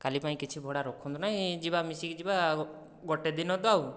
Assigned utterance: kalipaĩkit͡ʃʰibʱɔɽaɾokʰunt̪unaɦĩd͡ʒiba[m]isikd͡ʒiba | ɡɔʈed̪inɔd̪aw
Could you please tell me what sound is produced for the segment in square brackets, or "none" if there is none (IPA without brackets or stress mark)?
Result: m